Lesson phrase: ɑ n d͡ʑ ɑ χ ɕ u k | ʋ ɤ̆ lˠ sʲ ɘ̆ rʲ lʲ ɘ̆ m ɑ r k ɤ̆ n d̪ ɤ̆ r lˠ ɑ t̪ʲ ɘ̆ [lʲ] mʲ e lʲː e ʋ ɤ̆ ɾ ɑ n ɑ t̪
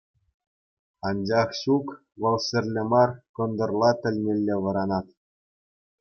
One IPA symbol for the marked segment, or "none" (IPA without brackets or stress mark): lʲ